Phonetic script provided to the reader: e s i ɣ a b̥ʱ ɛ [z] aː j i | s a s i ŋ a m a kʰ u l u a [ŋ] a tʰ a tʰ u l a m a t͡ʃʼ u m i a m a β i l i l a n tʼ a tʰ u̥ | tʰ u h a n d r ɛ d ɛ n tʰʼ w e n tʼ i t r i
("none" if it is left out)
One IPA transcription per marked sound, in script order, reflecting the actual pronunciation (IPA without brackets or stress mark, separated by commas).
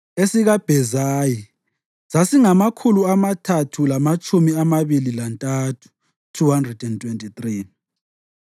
z, m